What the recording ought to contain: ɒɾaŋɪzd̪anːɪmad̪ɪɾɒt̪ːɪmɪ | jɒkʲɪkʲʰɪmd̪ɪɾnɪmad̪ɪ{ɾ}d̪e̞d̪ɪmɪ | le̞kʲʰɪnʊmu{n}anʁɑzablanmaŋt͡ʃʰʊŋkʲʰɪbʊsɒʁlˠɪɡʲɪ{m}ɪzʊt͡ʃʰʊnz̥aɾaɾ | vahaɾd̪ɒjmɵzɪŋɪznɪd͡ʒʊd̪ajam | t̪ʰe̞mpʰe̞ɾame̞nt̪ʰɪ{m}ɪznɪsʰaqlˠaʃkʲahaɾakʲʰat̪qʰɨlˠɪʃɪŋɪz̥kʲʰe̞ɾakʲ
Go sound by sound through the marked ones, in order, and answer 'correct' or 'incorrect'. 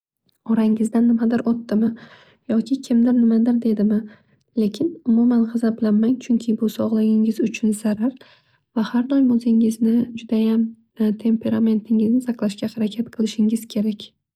correct, incorrect: m, incorrect: ŋ, incorrect: ŋ

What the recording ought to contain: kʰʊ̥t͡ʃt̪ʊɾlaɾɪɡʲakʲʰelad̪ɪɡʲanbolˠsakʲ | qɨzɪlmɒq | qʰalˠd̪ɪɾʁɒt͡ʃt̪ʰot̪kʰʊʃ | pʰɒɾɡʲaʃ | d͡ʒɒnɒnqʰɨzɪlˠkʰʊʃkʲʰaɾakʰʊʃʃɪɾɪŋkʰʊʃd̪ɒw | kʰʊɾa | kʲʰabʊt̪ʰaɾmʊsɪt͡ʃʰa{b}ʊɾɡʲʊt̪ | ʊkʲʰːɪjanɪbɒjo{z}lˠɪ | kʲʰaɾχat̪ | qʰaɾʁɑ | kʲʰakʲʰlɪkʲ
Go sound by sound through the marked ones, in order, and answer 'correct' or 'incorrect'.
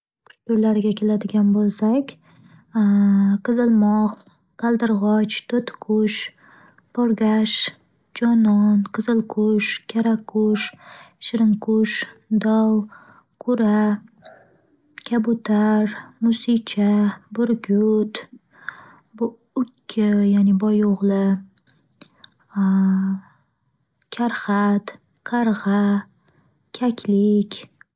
correct, incorrect: ʁ

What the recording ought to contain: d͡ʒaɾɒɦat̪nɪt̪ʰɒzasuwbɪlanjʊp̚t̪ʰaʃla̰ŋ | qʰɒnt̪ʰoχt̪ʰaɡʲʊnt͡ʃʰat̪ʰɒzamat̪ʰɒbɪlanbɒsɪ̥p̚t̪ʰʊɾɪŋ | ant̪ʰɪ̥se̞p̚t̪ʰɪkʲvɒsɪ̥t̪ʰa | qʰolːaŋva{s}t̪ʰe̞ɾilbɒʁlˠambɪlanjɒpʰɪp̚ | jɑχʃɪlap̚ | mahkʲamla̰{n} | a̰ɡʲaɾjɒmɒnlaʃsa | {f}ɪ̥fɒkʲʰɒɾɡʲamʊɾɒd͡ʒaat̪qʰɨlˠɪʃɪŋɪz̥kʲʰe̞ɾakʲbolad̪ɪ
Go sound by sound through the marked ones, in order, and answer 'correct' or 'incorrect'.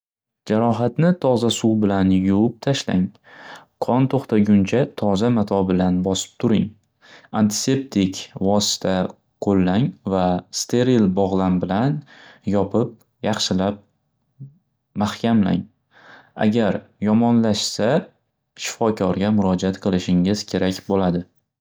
correct, incorrect: ŋ, incorrect: ʃ

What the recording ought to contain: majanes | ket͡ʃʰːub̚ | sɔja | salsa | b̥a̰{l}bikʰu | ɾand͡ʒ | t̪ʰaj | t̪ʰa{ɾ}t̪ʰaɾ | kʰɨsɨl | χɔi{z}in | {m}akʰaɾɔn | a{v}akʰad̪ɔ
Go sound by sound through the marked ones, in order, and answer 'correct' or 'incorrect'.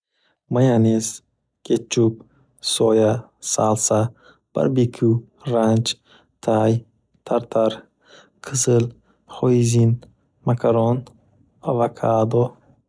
incorrect: ɾ, correct, correct, correct, correct

